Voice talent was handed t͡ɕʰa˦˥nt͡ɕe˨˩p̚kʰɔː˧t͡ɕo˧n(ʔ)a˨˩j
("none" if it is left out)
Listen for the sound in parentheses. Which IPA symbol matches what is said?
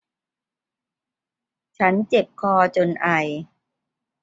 ʔ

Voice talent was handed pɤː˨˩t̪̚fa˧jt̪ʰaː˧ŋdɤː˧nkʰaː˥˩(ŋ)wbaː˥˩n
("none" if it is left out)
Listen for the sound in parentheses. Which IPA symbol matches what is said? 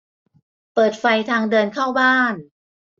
none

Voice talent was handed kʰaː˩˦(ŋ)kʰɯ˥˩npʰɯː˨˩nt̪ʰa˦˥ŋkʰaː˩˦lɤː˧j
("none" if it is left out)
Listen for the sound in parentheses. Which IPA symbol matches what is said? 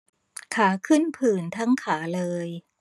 none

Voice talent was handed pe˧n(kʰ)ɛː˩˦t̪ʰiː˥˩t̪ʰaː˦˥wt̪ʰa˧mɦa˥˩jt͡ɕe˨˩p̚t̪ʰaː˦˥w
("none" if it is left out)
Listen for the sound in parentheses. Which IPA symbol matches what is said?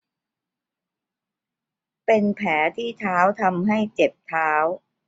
pʰ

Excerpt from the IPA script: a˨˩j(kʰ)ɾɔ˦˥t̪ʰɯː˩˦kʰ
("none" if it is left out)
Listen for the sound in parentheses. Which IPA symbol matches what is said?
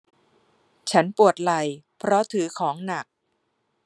pʰ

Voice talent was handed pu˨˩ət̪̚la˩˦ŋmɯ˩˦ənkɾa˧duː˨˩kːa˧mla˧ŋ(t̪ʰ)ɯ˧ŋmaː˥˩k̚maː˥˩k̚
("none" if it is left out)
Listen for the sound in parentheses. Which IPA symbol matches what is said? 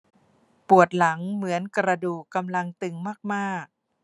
t̪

